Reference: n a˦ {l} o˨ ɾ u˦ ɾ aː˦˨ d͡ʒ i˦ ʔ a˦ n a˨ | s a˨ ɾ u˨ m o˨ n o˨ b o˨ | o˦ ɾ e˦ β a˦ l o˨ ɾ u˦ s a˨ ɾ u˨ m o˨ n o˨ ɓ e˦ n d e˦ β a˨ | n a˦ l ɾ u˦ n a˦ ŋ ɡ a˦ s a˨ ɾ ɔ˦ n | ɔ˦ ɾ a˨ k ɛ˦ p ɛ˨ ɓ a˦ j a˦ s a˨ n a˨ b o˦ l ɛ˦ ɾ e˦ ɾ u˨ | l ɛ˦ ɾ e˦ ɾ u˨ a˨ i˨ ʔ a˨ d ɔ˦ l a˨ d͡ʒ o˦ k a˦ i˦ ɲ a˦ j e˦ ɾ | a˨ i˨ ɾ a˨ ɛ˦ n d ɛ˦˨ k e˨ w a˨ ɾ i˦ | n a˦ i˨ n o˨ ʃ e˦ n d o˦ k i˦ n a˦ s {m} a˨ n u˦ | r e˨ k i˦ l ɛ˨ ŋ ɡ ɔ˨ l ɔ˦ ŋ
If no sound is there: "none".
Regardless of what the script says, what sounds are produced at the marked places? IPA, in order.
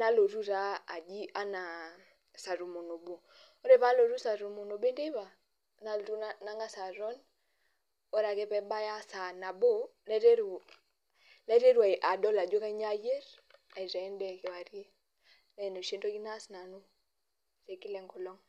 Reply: l, n

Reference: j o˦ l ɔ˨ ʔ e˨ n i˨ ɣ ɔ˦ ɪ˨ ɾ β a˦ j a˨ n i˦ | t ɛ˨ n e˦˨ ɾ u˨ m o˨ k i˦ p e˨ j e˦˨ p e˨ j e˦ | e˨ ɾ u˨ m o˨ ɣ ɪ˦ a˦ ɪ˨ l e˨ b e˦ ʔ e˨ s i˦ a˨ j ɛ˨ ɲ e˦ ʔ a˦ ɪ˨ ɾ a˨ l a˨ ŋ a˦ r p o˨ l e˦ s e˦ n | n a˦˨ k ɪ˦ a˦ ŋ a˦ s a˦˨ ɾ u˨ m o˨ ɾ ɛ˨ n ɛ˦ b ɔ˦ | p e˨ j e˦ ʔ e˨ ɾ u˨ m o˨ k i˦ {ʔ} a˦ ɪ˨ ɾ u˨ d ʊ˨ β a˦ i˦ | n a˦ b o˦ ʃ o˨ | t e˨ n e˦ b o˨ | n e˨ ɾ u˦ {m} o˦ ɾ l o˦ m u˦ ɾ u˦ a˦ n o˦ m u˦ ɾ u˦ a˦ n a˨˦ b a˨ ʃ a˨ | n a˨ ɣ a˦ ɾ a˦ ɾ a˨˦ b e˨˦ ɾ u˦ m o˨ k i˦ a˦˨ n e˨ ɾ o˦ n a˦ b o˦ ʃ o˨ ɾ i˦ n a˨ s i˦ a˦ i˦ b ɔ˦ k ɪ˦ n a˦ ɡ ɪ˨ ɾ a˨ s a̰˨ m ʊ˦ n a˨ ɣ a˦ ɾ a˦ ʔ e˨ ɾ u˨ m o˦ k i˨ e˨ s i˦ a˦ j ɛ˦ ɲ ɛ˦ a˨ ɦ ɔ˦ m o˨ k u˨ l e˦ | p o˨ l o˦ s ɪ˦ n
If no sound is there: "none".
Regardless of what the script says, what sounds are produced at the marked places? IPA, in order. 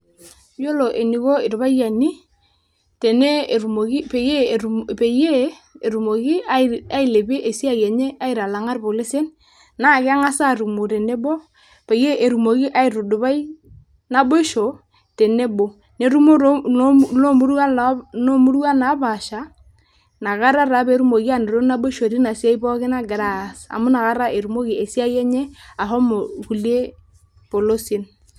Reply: ʔ, m

